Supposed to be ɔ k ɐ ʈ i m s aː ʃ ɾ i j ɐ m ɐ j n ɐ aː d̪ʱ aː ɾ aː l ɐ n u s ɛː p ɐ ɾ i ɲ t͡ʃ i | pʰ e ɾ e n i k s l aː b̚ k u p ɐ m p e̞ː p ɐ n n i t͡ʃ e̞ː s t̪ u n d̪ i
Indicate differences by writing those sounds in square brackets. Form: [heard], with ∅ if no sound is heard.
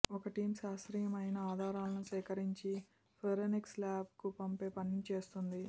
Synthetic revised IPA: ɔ k ɐ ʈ [iː] m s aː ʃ ɾ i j ɐ m ɐ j n ɐ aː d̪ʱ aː ɾ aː l ɐ n u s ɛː [k] ɐ ɾ i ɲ t͡ʃ i | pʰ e ɾ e n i k s l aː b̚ k u p ɐ m p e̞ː p ɐ n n i t͡ʃ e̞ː s t̪ u n d̪ i